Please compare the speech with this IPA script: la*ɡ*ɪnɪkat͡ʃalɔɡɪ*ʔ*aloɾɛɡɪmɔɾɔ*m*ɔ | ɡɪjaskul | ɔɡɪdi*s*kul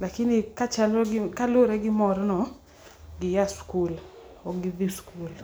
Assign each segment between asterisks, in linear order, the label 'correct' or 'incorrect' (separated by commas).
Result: incorrect, incorrect, incorrect, correct